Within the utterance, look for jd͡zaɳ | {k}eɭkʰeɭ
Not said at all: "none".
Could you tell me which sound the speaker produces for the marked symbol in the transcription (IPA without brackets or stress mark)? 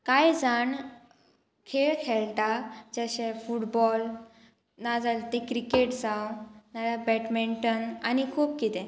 kʰ